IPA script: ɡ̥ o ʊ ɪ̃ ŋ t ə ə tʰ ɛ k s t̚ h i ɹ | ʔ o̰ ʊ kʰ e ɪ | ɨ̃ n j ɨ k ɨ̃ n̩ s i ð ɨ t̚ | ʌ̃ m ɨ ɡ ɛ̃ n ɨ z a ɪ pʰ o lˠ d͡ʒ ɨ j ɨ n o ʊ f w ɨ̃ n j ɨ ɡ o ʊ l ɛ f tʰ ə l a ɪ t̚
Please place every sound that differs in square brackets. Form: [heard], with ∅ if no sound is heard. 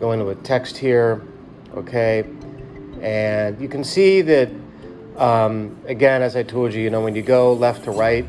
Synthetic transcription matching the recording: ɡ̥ o ʊ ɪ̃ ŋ t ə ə tʰ ɛ k s t̚ h i ɹ | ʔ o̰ ʊ kʰ e ɪ | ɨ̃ n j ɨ k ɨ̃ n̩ s i ð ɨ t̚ | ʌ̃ m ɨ ɡ ɛ̃ n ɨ z a ɪ [tʰ] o lˠ d͡ʒ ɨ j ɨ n o ʊ [∅] w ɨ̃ n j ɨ ɡ o ʊ l ɛ f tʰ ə [ɹ] a ɪ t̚